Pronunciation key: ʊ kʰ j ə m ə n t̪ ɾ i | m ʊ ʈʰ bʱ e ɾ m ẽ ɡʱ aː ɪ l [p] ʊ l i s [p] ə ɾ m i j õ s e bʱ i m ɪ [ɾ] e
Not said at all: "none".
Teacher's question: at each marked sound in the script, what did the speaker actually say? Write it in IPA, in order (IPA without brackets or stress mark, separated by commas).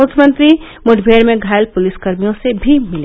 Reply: p, k, l